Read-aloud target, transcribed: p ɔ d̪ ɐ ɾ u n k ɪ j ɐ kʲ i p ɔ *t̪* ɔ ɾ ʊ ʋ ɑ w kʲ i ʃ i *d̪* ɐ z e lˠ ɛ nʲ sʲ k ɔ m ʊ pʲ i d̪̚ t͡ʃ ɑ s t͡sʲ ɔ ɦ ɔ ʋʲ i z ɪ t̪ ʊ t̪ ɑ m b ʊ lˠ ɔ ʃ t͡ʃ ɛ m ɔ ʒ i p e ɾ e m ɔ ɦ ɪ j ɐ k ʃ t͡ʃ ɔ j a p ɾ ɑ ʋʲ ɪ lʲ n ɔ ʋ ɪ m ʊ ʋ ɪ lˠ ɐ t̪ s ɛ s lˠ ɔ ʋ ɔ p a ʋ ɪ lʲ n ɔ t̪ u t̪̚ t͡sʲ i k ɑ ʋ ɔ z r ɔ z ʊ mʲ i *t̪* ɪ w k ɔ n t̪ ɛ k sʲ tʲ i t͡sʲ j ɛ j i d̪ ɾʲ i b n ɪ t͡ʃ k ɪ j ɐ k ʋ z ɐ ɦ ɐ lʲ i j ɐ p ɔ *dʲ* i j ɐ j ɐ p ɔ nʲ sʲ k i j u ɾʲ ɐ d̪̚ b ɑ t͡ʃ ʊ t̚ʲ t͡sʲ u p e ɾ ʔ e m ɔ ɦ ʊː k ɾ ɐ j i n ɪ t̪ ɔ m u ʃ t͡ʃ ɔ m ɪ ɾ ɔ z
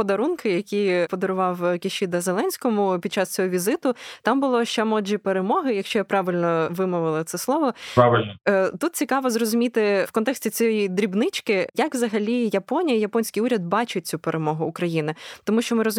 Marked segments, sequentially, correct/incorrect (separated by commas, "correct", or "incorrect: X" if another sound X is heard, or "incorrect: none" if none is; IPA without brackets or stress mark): incorrect: d̪, correct, correct, incorrect: nʲ